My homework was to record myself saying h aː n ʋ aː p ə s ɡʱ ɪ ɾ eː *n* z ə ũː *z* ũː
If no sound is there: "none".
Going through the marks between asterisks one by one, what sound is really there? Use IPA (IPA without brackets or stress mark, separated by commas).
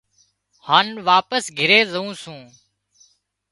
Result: none, s